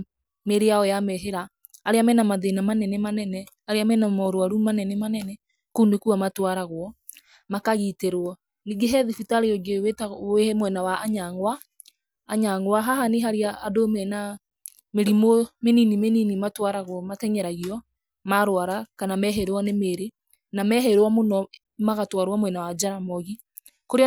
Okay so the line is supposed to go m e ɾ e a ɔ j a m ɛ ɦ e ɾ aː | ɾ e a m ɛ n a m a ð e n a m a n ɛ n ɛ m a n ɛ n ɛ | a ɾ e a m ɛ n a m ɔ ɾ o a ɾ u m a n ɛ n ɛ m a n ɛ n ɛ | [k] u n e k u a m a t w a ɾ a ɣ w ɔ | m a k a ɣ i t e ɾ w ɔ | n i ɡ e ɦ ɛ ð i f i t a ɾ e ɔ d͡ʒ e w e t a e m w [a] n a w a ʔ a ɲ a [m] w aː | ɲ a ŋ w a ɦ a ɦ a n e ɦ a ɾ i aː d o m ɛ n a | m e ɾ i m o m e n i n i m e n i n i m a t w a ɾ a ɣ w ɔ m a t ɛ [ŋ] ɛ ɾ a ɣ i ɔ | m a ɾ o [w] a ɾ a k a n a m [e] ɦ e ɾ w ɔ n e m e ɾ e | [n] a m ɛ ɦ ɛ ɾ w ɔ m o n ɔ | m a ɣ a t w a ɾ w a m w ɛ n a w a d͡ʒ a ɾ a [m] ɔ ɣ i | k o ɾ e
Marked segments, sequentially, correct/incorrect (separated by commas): correct, incorrect, incorrect, incorrect, correct, incorrect, correct, correct